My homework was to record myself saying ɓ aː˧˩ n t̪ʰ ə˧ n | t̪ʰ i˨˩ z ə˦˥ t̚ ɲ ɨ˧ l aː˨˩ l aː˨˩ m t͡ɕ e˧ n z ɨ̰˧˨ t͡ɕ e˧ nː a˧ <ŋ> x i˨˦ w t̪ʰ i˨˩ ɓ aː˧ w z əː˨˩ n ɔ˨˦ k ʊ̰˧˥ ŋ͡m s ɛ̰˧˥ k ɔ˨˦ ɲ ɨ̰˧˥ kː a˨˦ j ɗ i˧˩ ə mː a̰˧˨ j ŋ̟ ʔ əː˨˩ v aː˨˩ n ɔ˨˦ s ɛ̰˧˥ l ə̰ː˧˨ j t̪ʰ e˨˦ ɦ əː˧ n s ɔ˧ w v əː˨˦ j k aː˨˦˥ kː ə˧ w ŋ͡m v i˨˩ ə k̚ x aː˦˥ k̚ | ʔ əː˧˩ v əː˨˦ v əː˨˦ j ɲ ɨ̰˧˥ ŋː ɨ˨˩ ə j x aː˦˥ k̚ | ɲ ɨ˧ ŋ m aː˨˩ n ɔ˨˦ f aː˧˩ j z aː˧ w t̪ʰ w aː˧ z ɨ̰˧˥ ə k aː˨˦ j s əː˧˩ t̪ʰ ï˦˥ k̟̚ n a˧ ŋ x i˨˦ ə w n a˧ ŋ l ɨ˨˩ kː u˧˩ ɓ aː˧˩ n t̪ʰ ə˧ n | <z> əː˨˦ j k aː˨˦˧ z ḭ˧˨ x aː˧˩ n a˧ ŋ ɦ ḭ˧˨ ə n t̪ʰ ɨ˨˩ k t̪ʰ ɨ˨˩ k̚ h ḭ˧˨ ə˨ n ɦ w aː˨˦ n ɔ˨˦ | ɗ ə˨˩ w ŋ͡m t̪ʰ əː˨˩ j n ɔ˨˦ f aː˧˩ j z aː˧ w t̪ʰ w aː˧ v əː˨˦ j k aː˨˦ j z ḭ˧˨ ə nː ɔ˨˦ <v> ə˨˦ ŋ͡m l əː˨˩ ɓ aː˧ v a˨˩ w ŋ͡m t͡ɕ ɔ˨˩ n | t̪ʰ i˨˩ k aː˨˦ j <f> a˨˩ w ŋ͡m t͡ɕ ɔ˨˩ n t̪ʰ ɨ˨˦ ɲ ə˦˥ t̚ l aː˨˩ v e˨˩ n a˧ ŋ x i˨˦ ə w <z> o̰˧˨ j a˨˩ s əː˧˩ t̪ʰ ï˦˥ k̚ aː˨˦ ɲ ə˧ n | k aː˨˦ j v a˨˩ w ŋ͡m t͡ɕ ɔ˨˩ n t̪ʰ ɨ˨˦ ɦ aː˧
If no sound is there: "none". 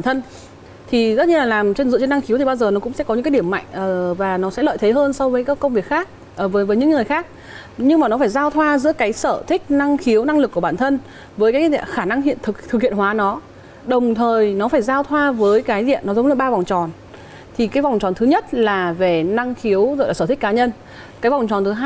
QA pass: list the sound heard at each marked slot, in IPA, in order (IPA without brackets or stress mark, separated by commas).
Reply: ŋ, v, z, v, z